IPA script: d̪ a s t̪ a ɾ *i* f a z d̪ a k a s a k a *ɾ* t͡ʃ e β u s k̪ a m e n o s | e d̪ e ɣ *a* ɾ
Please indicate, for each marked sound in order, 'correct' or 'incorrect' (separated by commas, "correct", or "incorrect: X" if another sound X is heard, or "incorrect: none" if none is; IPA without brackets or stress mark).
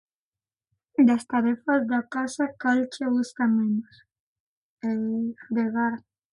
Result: incorrect: e, incorrect: l, correct